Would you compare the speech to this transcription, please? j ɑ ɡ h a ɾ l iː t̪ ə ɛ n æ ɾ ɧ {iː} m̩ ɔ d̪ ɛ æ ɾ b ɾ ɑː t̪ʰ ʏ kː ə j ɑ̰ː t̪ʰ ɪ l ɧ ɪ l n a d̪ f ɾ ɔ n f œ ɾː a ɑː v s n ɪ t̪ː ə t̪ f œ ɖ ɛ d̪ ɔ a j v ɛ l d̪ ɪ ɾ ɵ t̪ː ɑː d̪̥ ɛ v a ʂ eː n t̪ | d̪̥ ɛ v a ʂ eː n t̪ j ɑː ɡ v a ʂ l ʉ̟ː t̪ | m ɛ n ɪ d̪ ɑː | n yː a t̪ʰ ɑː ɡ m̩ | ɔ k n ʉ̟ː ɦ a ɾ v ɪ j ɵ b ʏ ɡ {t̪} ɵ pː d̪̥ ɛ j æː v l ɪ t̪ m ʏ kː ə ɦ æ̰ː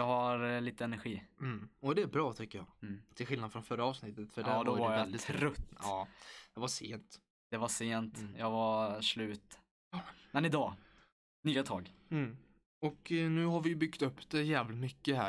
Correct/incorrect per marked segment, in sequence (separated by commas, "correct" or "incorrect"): correct, correct